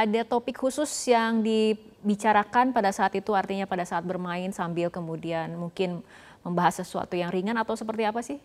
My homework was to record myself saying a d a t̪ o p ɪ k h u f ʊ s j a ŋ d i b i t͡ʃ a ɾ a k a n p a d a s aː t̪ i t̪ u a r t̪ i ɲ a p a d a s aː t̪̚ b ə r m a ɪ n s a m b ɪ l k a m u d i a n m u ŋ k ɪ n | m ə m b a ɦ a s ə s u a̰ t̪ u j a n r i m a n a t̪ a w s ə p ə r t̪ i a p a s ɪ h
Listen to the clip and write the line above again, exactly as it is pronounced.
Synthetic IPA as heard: a d a t̪ o p ɪ k h u s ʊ s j a ŋ d i b i t͡ʃ a ɾ a k a n p a d a s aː t̪ i t̪ u a r t̪ i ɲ a p a d a s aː t̪̚ b ə r m a ɪ n s a m b ɪ l k ə m u d i a n m u ŋ k ɪ n | m ə m b a ɦ a s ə s u a̰ t̪ u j a ŋ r i ŋ a n a t̪ a w s ə p ə r t̪ i a p a s ɪ h